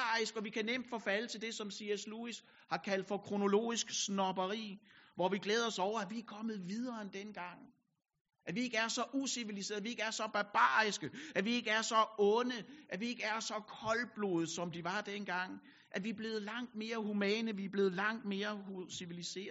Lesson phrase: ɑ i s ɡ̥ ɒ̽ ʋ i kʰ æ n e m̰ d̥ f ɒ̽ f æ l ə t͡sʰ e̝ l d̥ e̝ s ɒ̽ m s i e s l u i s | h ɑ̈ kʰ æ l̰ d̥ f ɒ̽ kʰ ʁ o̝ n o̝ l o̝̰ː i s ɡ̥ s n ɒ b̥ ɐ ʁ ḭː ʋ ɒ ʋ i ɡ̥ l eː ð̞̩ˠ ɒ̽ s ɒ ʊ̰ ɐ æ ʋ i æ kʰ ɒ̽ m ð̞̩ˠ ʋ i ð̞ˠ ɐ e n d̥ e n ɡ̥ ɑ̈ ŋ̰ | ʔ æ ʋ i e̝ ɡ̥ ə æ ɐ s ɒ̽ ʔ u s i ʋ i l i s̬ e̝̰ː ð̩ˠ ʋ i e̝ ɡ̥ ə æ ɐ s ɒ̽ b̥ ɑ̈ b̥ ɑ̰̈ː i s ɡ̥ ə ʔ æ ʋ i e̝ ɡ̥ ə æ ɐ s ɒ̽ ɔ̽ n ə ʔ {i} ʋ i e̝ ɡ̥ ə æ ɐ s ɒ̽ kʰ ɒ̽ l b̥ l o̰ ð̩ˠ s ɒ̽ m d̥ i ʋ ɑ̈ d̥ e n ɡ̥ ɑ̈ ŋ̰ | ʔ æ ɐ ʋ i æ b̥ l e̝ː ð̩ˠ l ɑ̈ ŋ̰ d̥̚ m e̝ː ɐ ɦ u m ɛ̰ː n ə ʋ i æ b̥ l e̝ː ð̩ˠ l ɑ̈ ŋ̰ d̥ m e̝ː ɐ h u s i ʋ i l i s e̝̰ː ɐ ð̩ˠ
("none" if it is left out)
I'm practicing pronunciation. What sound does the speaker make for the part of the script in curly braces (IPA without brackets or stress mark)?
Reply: æ